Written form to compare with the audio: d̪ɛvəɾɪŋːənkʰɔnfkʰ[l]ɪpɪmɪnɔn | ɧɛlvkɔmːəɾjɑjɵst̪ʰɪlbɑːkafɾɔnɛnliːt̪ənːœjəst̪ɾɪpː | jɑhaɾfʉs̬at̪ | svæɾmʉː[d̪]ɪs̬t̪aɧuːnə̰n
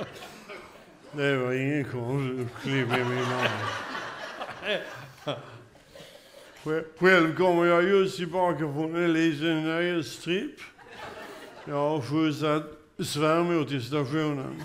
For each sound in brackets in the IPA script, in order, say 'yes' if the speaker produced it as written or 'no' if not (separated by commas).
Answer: yes, no